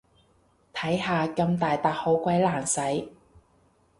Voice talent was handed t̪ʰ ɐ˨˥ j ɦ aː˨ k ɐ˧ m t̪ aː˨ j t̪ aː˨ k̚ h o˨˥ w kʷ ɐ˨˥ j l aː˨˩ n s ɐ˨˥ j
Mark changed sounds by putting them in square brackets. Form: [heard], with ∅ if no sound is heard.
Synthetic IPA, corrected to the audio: t̪ʰ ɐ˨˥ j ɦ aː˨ k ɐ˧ m t̪ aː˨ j t̪ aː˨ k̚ h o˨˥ w kʷ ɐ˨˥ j l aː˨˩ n s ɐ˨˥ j